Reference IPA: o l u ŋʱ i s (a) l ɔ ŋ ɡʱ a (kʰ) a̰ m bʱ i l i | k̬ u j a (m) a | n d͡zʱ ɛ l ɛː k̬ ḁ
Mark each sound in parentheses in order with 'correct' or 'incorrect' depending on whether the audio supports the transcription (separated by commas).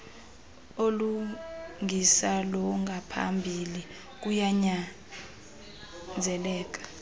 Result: correct, incorrect, incorrect